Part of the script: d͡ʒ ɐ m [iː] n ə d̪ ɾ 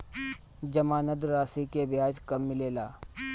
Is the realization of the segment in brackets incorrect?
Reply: yes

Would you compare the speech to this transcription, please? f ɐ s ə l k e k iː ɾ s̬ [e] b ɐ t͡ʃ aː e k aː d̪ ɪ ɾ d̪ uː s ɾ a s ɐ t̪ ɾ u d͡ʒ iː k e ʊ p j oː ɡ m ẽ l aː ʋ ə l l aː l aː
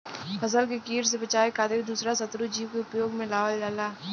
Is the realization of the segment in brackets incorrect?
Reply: no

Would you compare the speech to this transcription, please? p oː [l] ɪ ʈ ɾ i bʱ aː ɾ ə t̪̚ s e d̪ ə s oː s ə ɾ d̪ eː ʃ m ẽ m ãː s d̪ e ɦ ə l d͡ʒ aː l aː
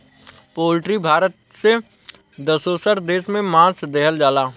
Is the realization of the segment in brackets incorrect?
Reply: no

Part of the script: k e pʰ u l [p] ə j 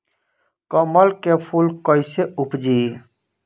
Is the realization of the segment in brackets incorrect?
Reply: yes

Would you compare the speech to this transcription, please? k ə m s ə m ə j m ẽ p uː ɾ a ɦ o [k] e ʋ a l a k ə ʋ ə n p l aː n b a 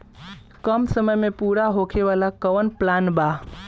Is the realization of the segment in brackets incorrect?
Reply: yes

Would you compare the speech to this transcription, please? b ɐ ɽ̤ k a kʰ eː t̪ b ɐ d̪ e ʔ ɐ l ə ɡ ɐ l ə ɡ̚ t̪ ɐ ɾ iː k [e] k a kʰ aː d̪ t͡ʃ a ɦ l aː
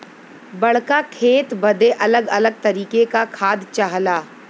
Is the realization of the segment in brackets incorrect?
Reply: no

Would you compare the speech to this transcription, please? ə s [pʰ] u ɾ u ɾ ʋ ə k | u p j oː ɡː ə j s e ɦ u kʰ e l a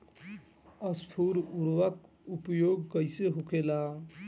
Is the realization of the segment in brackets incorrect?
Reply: no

